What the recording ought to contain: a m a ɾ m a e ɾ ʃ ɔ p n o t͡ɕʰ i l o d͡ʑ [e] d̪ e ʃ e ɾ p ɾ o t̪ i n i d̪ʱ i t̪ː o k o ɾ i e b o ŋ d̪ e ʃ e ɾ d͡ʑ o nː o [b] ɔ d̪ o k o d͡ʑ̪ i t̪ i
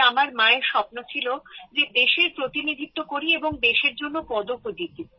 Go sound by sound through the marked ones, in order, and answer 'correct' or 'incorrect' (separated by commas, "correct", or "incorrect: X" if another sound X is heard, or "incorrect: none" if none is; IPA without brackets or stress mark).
correct, incorrect: p